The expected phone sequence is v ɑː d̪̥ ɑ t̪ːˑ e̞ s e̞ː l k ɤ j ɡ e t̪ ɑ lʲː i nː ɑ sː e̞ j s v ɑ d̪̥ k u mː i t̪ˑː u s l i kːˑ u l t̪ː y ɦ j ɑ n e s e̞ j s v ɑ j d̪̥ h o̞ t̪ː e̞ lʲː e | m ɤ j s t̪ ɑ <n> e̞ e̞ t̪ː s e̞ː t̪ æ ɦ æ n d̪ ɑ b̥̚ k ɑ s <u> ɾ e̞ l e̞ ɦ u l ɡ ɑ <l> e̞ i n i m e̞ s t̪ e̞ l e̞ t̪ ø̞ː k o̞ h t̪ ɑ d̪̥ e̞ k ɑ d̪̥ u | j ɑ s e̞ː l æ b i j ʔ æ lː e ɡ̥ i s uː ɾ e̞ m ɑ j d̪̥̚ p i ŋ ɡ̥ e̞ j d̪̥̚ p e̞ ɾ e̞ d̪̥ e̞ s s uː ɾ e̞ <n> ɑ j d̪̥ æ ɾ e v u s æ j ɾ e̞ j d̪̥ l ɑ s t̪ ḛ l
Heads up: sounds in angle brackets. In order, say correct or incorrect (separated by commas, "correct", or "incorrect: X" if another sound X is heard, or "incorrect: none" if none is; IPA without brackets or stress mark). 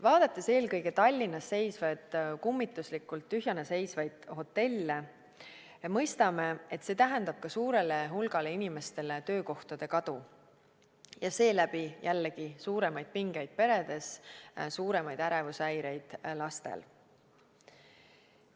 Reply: incorrect: m, incorrect: uː, correct, incorrect: m